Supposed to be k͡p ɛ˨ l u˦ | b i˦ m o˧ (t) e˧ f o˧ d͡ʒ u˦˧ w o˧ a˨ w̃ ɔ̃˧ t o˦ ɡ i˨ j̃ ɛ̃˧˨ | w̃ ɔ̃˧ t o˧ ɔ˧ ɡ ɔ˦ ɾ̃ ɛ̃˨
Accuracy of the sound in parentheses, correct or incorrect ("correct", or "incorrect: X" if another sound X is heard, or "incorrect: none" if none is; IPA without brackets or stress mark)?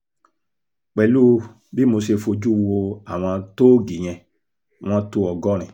incorrect: s